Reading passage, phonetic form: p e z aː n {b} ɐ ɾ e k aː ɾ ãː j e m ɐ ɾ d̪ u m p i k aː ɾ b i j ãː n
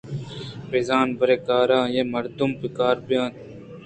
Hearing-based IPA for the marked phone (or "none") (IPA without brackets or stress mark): b